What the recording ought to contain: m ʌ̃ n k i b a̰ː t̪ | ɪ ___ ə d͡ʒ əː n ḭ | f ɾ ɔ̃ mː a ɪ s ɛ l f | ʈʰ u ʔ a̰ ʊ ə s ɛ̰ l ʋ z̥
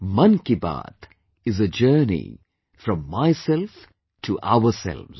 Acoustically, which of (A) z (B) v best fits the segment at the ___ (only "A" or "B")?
A